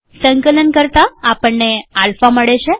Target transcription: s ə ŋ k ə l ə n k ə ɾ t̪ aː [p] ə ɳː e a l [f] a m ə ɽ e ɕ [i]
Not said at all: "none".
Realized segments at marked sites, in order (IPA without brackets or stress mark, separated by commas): p, f, e